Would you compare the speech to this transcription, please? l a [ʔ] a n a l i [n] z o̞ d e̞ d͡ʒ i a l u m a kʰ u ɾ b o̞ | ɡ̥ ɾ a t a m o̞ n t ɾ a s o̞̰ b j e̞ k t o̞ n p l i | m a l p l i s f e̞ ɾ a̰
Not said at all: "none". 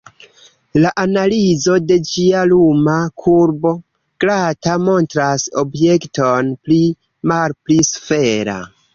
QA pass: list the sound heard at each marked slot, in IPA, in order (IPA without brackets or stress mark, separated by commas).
ʔ, none